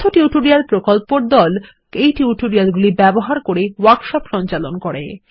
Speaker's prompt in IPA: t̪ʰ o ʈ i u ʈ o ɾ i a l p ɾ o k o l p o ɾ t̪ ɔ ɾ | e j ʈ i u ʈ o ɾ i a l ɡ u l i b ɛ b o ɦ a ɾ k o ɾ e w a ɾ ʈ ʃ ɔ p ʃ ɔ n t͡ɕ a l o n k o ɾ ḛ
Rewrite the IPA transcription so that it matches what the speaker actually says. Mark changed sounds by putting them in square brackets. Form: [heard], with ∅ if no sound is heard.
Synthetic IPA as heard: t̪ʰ o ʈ i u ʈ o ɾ i a l p ɾ o k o l p o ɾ [d̪] ɔ [l] | e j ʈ i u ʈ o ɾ i a l ɡ u l i b ɛ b o ɦ a ɾ k o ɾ e w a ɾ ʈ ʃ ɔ p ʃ ɔ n t͡ɕ a l o n k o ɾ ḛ